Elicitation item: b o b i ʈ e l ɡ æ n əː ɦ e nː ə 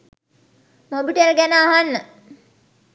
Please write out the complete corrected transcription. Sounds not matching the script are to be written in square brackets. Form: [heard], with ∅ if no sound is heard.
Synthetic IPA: [m] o b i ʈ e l ɡ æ n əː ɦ [a] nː ə